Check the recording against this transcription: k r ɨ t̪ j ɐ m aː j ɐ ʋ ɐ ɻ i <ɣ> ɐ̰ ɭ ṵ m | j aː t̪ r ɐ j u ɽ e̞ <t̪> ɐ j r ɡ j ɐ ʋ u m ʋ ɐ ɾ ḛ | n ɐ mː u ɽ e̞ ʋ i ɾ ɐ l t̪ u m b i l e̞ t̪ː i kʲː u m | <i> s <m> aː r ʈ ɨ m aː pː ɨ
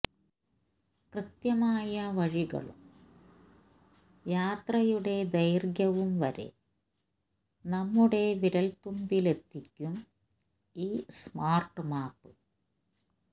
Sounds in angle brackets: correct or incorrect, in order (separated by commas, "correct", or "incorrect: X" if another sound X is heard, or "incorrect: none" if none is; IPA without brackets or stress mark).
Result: correct, incorrect: d̪, incorrect: iː, correct